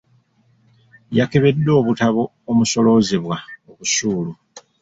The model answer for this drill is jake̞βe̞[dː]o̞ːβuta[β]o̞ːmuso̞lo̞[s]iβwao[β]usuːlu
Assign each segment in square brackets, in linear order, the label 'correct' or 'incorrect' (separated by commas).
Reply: correct, correct, incorrect, correct